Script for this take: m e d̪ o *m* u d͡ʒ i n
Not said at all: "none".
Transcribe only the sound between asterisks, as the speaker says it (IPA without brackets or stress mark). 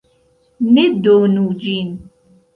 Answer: n